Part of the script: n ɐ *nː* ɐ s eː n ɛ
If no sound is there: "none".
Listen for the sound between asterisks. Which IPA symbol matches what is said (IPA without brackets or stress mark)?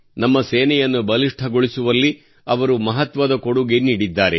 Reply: mː